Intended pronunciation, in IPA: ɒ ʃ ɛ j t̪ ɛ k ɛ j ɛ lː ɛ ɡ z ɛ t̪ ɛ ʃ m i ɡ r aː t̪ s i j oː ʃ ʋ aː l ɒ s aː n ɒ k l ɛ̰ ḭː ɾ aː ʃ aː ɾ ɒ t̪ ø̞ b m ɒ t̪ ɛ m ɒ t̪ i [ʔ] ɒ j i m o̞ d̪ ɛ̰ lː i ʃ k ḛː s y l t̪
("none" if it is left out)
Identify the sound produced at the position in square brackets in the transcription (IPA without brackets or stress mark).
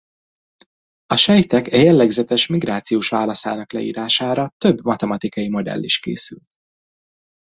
k